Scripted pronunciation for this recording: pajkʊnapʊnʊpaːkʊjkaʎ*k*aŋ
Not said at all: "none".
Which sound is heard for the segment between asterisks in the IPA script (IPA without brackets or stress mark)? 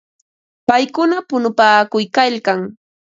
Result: k